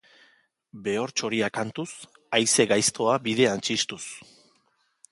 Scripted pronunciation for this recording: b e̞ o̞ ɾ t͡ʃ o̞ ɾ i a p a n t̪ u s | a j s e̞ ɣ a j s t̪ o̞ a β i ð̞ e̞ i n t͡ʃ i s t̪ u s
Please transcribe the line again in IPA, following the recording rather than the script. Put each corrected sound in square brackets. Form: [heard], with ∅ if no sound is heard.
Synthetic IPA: b e̞ o̞ ɾ t͡ʃ o̞ ɾ i a [k] a n t̪ u s | a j s e̞ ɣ a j s t̪ o̞ a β i ð̞ e̞ [a] n t͡ʃ i s t̪ u s